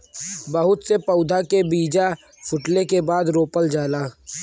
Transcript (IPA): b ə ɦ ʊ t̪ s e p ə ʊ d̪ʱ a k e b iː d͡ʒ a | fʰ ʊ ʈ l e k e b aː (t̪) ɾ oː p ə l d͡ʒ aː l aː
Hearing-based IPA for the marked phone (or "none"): d̪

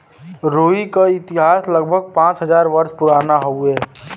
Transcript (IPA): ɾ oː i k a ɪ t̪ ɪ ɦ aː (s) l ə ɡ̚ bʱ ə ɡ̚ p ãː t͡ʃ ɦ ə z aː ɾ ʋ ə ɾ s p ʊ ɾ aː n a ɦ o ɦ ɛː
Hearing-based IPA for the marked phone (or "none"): s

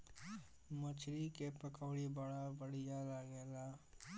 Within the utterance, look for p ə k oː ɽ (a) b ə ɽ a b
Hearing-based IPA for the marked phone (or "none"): i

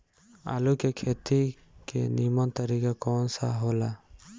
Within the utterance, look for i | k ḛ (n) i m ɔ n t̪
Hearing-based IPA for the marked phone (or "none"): n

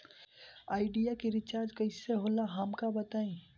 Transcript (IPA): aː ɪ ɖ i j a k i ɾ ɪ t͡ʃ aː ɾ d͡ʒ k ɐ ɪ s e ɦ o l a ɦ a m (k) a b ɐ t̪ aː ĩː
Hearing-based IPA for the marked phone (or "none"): k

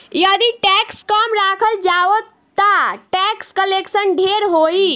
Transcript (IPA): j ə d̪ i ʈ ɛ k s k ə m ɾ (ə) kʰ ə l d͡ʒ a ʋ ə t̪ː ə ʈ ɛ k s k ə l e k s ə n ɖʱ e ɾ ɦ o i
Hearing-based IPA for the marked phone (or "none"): a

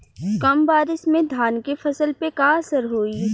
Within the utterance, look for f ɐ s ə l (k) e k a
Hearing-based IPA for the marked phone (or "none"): p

